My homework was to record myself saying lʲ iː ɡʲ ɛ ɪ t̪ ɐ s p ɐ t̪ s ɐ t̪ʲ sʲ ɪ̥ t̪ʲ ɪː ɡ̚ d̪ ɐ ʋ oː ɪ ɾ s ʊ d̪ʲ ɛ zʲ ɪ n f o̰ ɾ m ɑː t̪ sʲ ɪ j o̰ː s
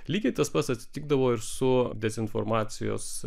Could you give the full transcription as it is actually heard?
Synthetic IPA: lʲ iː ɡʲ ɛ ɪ t̪ ɐ s p ɐ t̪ s ɐ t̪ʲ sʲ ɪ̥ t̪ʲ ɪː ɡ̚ d̪ ɐ ʋ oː ɪ ɾ s ʊ d̪ʲ ɛ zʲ ɪ n f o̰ ɾ m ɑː t̪ sʲ ɪ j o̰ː s